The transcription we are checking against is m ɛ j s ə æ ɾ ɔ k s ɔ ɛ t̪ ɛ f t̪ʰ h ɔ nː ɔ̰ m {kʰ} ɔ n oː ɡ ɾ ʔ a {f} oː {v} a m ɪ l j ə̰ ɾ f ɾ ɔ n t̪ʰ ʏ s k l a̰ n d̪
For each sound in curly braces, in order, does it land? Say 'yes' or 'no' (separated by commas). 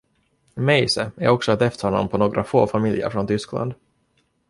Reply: no, yes, no